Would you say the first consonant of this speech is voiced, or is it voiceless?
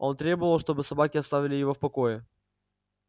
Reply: voiced